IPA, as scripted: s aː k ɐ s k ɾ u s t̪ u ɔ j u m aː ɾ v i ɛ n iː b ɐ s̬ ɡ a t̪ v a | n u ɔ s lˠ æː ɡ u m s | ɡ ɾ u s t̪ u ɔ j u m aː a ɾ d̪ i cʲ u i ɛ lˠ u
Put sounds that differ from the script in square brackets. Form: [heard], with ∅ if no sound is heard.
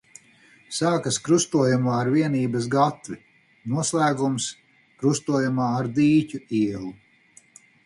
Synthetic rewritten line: s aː k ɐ s k ɾ u s t̪ u ɔ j u m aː ɾ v i ɛ n iː b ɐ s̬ ɡ a t̪ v [i] | n u ɔ s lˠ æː ɡ u m s | [k] ɾ u s t̪ u ɔ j u m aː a ɾ d̪ [iː] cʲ u i ɛ lˠ u